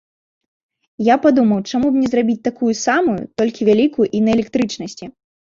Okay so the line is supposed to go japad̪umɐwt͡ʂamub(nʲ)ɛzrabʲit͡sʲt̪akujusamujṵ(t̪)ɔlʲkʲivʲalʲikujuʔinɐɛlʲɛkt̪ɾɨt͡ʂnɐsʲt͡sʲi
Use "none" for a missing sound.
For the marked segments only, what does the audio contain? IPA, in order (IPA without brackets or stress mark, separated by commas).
nʲ, t̪